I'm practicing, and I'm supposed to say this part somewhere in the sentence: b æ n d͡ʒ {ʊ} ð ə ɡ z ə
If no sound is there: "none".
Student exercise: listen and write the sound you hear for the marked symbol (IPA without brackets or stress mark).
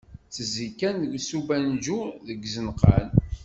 u